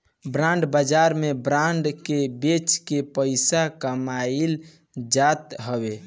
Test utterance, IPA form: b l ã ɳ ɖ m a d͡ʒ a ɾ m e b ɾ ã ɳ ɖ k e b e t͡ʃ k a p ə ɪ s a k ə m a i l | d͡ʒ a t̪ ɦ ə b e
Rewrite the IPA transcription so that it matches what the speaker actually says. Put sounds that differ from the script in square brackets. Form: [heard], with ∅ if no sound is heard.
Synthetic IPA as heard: b [ɾ] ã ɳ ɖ [b] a d͡ʒ a ɾ m e b ɾ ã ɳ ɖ k e b e t͡ʃ k [e] p ə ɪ s a k ə m a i l | d͡ʒ a t̪ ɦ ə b e